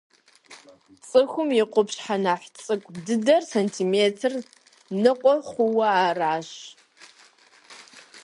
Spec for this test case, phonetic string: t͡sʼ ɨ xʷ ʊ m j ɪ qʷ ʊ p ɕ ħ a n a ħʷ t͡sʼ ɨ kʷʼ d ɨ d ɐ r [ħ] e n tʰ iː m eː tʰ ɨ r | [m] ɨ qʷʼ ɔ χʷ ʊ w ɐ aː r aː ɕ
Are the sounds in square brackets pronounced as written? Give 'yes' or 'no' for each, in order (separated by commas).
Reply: no, no